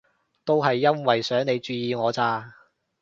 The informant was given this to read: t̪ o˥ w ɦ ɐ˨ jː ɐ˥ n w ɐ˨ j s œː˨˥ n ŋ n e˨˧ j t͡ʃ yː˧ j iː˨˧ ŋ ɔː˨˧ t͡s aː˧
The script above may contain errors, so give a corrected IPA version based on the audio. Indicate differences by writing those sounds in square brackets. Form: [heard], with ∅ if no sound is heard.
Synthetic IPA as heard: t̪ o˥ w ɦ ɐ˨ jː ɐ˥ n w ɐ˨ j s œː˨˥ [∅] ŋ n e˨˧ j t͡ʃ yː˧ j iː˨˧ ŋ ɔː˨˧ t͡s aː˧